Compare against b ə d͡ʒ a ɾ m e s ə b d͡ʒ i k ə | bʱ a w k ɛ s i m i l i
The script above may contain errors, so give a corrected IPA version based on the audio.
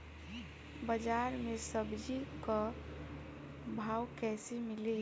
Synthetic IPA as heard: b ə d͡ʒ a ɾ m e s ə b d͡ʒ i k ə | bʱ a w k ɛ s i m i l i

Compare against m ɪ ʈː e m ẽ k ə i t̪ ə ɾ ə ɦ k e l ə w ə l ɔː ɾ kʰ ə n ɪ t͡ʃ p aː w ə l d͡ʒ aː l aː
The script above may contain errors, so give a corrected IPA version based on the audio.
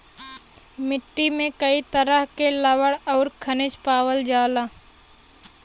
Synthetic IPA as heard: m ɪ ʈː i m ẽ k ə i t̪ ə ɾ ə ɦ k e l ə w ə ɽ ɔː ɾ kʰ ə n ɪ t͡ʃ p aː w ə l d͡ʒ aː l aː

